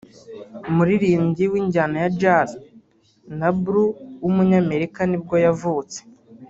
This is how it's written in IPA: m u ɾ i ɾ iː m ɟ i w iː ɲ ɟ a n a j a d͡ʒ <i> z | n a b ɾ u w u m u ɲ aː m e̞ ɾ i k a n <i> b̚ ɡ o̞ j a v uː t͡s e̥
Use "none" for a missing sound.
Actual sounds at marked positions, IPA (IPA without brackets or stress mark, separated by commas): a, i